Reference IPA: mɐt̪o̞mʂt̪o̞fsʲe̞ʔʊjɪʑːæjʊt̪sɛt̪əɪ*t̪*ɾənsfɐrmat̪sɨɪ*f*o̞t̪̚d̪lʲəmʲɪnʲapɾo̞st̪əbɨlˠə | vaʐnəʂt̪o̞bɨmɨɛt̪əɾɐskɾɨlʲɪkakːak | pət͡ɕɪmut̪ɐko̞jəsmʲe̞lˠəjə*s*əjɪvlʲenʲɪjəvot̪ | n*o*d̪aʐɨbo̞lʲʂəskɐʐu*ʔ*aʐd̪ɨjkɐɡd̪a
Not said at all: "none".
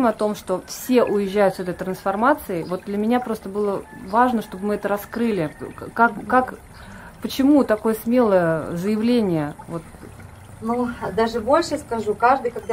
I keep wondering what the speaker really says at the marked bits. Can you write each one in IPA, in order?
t̪, v, z, u, k

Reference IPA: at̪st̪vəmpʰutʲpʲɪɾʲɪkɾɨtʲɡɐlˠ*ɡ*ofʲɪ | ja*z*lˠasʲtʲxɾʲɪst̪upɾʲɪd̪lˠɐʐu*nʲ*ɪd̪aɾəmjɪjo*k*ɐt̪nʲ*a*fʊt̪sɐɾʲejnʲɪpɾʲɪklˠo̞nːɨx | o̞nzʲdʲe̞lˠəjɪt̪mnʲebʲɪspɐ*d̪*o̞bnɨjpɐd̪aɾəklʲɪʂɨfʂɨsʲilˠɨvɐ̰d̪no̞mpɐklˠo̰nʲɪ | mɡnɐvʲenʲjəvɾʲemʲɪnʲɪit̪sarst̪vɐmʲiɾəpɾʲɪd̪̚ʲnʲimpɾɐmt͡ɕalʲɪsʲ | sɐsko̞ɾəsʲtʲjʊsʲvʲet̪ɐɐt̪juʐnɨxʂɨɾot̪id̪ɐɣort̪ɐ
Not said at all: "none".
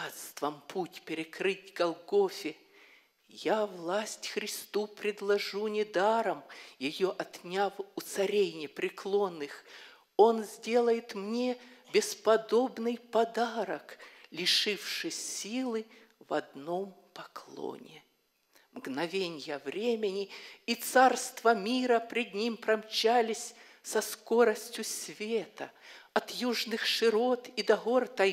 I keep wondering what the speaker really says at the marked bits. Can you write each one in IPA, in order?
ɡ, v, nʲ, ʔ, a, d̪

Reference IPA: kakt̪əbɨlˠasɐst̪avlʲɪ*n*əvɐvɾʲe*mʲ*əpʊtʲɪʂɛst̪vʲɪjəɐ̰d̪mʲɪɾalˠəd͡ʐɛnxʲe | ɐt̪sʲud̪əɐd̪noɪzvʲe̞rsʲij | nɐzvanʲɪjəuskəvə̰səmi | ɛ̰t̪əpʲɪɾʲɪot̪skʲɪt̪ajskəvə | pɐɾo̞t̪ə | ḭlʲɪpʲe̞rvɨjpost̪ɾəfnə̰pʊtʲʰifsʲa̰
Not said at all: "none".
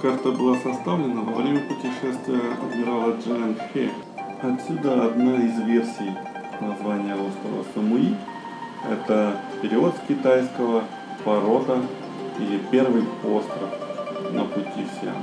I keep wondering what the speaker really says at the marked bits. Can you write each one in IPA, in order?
n, mʲ

